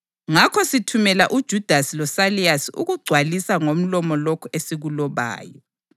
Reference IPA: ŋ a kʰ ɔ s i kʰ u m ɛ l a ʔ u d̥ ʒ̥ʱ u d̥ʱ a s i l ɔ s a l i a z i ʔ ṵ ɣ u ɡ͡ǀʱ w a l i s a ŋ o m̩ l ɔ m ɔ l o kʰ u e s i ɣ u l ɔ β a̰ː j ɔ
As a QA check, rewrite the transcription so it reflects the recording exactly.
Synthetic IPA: ŋ a kʰ ɔ s i tʰ u m ɛ l a ʔ u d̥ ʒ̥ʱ u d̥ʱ a s i l ɔ s a l i a s i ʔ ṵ ɣ u ɡ͡ǀʱ w a l i s a ŋ o m̩ l ɔ m ɔ l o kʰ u e s i ɣ u l ɔ β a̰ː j ɔ